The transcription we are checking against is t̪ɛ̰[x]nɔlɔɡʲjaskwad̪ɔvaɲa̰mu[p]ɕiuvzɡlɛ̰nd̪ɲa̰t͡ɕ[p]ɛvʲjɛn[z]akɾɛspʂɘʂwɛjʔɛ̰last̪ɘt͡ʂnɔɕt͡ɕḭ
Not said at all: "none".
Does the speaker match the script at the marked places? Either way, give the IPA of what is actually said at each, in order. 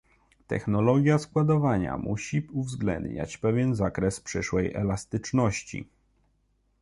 x, none, p, z

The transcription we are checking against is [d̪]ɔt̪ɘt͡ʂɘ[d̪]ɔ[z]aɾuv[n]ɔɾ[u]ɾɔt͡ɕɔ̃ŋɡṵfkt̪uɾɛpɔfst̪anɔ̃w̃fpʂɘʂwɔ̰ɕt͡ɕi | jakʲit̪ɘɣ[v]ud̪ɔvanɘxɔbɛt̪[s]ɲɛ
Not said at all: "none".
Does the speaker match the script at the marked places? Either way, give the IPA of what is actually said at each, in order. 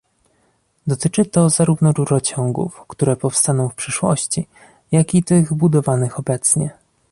d̪, t̪, z, n, u, b, s

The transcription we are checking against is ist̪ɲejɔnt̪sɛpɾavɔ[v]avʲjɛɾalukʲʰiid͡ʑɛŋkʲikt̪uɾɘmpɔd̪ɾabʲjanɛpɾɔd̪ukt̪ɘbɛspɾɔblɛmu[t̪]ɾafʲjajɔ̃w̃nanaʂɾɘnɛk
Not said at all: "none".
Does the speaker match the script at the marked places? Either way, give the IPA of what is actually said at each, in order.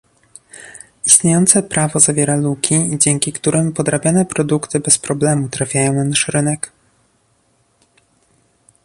z, t̪

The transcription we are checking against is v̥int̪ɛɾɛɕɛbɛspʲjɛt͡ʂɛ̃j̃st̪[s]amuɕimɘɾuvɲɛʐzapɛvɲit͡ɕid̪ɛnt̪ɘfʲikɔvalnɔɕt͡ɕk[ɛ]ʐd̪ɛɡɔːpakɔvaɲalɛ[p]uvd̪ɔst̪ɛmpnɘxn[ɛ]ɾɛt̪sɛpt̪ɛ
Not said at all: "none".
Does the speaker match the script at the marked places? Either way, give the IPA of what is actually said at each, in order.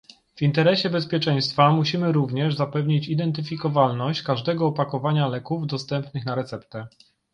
f, a, k, a

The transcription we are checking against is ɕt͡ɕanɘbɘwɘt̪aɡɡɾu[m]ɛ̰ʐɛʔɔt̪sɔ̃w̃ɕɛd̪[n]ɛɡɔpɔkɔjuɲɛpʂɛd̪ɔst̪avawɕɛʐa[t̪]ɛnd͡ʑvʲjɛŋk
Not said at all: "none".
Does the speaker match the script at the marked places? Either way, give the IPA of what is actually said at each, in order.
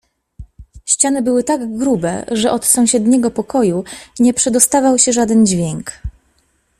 b, ɲ, d̪

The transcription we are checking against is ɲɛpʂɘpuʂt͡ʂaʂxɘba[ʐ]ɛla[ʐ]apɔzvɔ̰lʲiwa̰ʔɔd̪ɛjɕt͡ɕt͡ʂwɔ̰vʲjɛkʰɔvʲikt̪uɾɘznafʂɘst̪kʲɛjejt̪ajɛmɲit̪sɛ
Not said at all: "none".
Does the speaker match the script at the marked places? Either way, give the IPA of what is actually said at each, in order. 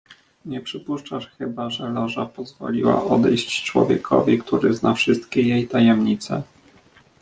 ʐ, ʐ

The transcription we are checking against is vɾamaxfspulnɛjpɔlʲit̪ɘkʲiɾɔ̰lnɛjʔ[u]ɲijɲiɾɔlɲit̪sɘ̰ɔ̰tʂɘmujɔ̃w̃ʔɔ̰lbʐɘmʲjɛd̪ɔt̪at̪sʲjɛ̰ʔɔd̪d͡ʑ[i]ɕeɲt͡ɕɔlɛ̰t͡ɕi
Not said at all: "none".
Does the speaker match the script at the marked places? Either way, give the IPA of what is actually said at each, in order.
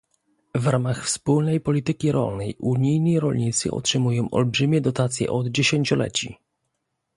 u, e

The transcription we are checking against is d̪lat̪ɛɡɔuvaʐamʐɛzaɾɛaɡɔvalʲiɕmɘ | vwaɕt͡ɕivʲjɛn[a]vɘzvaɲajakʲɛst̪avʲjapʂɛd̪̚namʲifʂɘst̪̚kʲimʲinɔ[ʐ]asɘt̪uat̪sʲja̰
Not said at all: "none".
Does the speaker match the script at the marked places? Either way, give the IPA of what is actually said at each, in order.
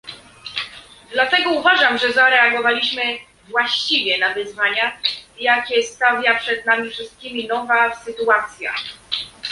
a, v

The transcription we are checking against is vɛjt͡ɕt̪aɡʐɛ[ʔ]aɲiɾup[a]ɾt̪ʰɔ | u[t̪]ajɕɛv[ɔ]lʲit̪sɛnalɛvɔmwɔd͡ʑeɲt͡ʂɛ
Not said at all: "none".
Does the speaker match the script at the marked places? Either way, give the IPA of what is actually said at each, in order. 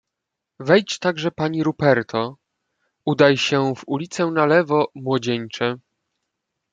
p, ɛ, d̪, u

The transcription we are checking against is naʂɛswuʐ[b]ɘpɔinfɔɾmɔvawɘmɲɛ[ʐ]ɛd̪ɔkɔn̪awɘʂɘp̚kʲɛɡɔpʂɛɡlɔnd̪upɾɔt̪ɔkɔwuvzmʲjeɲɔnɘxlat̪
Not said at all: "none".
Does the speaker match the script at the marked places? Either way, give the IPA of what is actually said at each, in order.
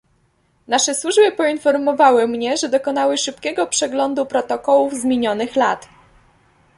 b, ʐ

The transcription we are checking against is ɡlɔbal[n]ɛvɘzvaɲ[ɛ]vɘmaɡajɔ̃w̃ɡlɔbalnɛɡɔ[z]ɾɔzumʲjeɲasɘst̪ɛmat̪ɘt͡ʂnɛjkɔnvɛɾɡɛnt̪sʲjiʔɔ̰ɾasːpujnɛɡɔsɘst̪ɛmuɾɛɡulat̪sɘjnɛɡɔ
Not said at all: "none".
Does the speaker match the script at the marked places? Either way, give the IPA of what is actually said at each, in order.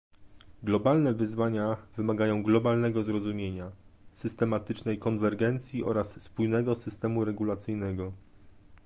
n, a, z

